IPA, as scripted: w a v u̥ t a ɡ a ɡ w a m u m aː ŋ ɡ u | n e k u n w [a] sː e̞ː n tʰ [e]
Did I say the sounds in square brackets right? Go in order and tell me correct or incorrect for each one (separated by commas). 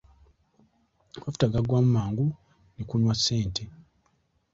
correct, correct